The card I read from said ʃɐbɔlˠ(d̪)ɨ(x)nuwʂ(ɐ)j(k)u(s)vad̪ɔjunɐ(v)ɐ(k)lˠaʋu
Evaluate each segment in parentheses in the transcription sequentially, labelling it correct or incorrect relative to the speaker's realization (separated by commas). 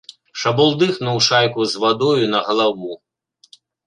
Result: correct, correct, incorrect, correct, incorrect, incorrect, incorrect